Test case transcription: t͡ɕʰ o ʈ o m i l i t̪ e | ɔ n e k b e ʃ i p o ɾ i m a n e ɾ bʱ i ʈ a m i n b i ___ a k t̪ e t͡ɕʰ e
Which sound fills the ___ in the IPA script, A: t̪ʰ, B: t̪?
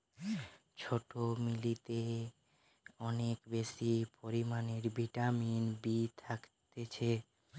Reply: A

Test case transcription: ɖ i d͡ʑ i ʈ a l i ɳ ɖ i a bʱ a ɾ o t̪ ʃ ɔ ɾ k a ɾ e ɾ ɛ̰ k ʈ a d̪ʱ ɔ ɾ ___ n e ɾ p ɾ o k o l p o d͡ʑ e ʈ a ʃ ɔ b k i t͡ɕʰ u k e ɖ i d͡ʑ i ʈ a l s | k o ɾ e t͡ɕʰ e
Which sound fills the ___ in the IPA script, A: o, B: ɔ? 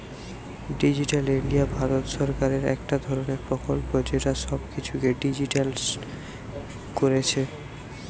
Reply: A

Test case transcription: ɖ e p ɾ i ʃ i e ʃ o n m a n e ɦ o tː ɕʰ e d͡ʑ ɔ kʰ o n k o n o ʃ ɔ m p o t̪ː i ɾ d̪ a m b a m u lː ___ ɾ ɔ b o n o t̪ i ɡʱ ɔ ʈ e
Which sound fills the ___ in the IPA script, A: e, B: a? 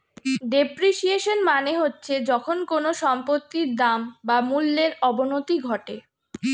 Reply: A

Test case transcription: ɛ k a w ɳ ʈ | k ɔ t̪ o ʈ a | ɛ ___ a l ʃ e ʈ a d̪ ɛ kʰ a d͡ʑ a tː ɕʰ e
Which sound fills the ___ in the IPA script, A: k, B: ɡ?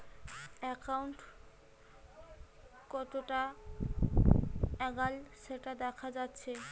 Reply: B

